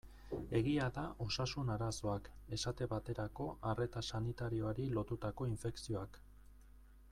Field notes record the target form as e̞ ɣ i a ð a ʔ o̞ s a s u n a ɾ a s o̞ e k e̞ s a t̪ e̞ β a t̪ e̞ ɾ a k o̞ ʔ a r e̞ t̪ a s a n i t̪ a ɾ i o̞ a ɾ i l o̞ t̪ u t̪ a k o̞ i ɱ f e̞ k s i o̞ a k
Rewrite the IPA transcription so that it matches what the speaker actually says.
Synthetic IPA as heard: e̞ ɣ i a ð a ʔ o̞ s a s u n a ɾ a s o̞ a k e̞ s a t̪ e̞ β a t̪ e̞ ɾ a k o̞ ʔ a r e̞ t̪ a s a n i t̪ a ɾ i o̞ a ɾ i l o̞ t̪ u t̪ a k o̞ i ɱ f e̞ k s i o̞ a k

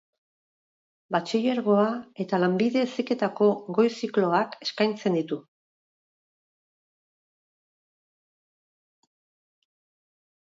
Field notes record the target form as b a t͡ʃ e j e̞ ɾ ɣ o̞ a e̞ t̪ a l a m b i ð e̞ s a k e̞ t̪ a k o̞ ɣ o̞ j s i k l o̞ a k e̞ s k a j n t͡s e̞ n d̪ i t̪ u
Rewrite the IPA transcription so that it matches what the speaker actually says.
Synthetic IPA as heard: b a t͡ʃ i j e̞ ɾ ɣ o̞ a e̞ t̪ a l a m b i ð e̞ s i k e̞ t̪ a k o̞ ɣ o̞ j s i k l o̞ a k e̞ s k a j n t͡s e̞ n d̪ i t̪ u

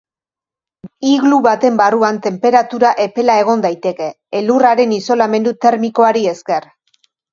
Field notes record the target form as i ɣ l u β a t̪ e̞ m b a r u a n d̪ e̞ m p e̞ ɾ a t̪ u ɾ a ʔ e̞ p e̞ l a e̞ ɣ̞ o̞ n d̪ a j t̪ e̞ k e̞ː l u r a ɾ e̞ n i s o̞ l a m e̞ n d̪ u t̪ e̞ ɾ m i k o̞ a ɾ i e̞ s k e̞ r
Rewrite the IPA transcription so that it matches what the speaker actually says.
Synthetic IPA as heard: i ɣ l u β a t̪ e̞ m b a r u a n t̪ e̞ m p e̞ ɾ a t̪ u ɾ a ʔ e̞ p e̞ l a e̞ ɣ̞ o̞ n d̪ a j t̪ e̞ k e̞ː l u r a ɾ e̞ n i s o̞ l a m e̞ n d̪ u t̪ e̞ ɾ m i k o̞ a ɾ i e̞ s k e̞ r

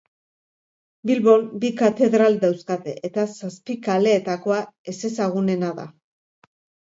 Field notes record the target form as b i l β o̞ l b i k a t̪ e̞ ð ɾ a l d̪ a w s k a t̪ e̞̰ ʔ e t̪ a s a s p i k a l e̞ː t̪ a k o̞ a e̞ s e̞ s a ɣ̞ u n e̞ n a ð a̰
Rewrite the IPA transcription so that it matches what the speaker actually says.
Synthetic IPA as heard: b i l β o̞ l b i k a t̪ e̞ ð ɾ a l d̪ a w s k a t̪ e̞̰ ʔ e t̪ a s a s p i k a l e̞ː t̪ a k o̞ a e̞ s e̞ s a ɣ̞ u n e̞ n a ð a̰

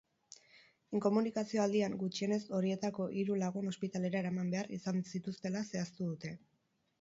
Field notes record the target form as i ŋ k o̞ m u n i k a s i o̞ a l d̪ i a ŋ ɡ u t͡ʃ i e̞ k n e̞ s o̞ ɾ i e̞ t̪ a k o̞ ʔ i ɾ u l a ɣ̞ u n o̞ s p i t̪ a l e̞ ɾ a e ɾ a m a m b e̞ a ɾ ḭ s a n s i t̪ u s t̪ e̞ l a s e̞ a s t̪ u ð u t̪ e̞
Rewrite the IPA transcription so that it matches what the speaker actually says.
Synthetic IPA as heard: i ŋ k o̞ m u n i k a s i o̞ a l d̪ i a ŋ ɡ u t͡ʃ i e̞ n e̞ s o̞ ɾ i e̞ t̪ a k o̞ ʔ i ɾ u l a ɣ̞ u n o̞ s p i t̪ a l e̞ ɾ a e ɾ a m a m b e̞ a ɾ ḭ s a n s i t̪ u s t̪ e̞ l a s e̞ a s t̪ u ð u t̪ e̞

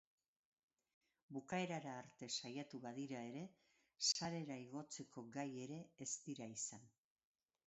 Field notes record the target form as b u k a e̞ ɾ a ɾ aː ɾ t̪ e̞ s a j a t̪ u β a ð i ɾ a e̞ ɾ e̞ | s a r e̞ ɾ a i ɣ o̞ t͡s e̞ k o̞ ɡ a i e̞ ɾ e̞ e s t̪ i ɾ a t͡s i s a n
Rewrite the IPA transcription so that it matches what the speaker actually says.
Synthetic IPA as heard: b u k a e̞ ɾ a ɾ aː ɾ t̪ e̞ s a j a t̪ u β a ð i ɾ a e̞ ɾ e̞ | s a ɾ e̞ ɾ a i ɣ o̞ t͡s e̞ k o̞ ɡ a j e̞ ɾ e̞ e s t̪ i ɾ a i s a n

